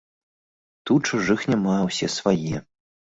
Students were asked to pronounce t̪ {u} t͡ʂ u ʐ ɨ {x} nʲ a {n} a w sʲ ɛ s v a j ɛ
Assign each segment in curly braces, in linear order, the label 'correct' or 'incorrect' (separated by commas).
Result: correct, correct, incorrect